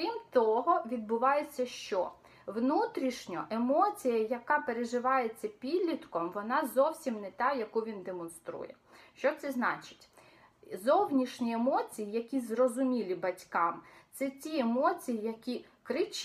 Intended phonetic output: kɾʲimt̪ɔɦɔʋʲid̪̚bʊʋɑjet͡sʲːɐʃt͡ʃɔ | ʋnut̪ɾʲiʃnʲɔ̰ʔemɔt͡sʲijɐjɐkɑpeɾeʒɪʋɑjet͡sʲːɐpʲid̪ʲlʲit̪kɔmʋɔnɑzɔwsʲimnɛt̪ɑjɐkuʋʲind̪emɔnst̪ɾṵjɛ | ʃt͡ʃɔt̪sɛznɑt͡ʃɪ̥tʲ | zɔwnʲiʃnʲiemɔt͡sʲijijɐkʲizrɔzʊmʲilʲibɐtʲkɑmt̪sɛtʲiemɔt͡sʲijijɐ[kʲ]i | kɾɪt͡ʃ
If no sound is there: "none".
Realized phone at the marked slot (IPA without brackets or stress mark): kʲ